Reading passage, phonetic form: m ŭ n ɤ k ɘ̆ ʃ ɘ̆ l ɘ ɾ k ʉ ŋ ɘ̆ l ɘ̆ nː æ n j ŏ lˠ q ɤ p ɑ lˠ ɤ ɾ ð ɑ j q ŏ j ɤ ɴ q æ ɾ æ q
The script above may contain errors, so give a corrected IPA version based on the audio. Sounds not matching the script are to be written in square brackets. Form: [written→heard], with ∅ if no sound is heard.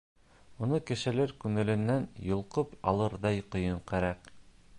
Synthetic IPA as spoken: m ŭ n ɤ k ɘ̆ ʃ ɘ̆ l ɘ ɾ k ʉ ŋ ɘ̆ l ɘ̆ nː æ n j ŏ lˠ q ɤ p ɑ lˠ ɤ ɾ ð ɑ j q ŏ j ɤ ɴ q æ ɾ æ q